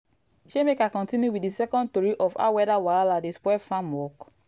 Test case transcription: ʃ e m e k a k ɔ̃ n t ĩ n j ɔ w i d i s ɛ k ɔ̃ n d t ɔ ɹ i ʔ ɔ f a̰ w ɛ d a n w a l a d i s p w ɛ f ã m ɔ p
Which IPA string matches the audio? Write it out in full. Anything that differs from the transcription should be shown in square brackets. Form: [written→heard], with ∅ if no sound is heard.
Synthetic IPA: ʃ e m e k a k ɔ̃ n t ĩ n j [ɔ→u] w i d i s ɛ k ɔ̃ n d t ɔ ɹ i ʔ ɔ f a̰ w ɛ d a [n→∅] w a l a d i s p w ɛ f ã m ɔ [p→k]